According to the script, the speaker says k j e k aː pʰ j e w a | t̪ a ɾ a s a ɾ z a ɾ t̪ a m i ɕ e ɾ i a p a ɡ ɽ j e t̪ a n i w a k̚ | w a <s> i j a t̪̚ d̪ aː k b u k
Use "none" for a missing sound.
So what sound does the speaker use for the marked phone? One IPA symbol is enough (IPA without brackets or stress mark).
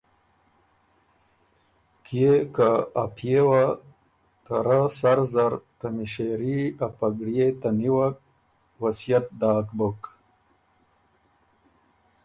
s